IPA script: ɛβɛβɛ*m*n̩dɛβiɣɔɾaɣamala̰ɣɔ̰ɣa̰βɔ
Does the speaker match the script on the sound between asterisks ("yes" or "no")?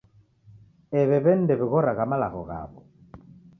no